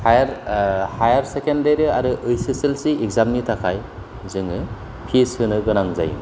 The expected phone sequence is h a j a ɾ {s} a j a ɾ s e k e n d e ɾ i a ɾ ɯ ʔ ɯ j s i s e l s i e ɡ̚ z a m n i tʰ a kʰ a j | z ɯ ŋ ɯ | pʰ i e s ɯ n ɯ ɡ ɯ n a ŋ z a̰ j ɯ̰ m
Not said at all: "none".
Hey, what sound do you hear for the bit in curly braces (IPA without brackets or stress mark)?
h